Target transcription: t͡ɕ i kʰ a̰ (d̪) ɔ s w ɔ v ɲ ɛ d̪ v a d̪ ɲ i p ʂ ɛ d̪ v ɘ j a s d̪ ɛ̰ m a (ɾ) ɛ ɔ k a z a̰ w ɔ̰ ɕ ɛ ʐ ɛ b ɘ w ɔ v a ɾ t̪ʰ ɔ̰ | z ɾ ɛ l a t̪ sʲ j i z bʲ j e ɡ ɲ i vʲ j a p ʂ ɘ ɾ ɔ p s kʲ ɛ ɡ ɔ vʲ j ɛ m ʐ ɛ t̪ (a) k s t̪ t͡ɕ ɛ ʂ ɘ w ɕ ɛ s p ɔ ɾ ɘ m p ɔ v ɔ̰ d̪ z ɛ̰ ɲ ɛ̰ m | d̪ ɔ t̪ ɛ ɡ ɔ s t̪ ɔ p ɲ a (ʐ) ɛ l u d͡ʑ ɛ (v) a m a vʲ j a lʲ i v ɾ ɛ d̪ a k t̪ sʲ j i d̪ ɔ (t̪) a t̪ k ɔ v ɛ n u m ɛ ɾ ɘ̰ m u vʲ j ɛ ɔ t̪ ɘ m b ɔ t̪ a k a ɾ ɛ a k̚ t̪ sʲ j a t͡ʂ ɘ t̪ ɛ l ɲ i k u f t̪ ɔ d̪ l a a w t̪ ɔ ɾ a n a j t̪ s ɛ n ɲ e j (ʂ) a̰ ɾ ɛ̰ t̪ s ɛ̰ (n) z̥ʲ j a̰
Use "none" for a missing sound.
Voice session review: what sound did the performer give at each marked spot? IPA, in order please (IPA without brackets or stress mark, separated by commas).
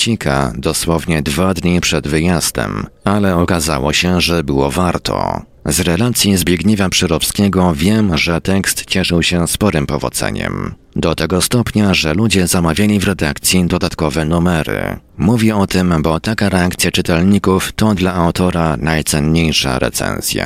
d̪, l, ɛ, ʐ, z, d̪, ʂ, n